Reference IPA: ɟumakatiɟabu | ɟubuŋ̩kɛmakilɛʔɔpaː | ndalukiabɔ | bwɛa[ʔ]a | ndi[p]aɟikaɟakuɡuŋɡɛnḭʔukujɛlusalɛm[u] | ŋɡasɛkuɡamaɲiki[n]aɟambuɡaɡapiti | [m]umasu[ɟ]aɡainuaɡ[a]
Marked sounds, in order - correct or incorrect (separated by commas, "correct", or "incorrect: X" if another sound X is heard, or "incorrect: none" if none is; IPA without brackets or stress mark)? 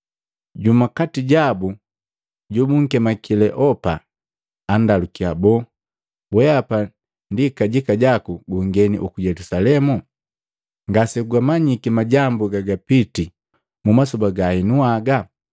incorrect: p, incorrect: k, correct, incorrect: m, correct, incorrect: b, correct